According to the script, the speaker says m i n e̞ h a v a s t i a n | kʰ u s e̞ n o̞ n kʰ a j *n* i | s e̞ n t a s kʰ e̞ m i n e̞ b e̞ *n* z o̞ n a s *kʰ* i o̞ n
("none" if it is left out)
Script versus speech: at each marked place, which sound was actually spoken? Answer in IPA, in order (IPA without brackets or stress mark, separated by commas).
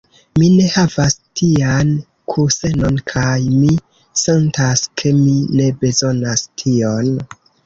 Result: m, none, tʰ